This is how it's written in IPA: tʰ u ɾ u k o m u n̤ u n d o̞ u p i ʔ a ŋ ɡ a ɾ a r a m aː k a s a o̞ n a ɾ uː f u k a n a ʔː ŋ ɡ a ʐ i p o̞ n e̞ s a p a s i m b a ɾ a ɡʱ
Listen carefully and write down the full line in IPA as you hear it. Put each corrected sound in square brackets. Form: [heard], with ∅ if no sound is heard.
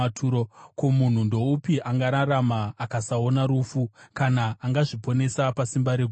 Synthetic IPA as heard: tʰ u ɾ [o] k o m u n̤ u n d o̞ u p i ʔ a ŋ ɡ a ɾ a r a m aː k a s a o̞ n a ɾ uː f u k a n a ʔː ŋ ɡ a ʐ i p o̞ n e̞ s a p a s i m b a ɾ [e] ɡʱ